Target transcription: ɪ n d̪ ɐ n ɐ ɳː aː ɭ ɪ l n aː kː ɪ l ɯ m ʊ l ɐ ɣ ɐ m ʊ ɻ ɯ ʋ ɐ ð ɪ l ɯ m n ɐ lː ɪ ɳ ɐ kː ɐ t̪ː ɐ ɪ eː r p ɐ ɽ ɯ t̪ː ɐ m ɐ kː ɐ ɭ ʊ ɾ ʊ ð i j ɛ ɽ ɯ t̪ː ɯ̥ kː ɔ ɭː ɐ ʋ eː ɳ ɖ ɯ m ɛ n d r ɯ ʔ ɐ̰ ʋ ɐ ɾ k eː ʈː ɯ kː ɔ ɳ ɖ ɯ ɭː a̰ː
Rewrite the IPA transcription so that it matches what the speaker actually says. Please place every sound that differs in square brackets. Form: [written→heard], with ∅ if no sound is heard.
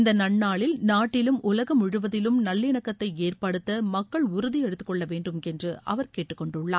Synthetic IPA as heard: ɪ n d̪ ɐ n ɐ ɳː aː ɭ ɪ l n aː [kː→ʈː] ɪ l ɯ m ʊ l ɐ ɣ ɐ m ʊ ɻ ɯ ʋ ɐ ð ɪ l ɯ m n ɐ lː ɪ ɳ ɐ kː ɐ t̪ː ɐ ɪ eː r p ɐ ɽ ɯ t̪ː ɐ m ɐ kː ɐ ɭ ʊ ɾ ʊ ð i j ɛ ɽ ɯ t̪ː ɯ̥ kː ɔ ɭː ɐ ʋ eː ɳ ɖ ɯ m ɛ n d r ɯ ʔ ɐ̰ ʋ ɐ ɾ k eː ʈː ɯ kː ɔ ɳ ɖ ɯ ɭː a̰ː